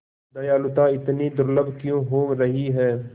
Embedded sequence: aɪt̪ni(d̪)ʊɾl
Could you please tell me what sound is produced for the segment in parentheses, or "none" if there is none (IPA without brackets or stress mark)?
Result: d̪